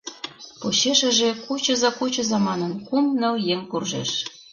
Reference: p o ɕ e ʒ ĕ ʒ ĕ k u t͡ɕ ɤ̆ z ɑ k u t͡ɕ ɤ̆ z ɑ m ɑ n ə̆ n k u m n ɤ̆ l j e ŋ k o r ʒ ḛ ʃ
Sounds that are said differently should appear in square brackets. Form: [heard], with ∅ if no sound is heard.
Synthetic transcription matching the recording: p o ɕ e [ʃ] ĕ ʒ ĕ k u t͡ɕ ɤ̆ z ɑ k u t͡ɕ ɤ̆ z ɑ m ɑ n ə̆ n k u m n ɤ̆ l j e ŋ k [u] r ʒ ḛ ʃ